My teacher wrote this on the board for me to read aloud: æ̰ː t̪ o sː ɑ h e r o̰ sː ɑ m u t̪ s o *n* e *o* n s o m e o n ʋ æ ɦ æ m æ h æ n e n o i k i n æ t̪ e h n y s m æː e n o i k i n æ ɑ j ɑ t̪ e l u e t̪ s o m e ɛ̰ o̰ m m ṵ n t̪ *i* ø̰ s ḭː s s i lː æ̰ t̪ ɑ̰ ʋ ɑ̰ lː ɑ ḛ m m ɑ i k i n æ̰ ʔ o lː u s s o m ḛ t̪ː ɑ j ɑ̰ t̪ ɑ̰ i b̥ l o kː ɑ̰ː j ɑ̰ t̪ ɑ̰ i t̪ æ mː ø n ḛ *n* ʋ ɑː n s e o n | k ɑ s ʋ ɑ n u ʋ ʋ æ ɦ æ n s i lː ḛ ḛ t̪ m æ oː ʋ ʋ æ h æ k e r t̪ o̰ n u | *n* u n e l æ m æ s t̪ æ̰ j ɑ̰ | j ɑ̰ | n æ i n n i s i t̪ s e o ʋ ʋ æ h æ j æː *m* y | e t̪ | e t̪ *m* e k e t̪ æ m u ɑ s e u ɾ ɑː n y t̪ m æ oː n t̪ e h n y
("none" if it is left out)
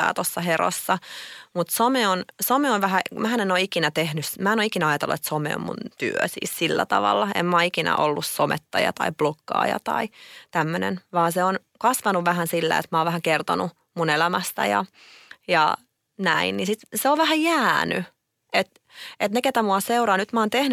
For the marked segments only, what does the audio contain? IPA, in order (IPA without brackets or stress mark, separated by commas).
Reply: m, o, y, n, m, n, n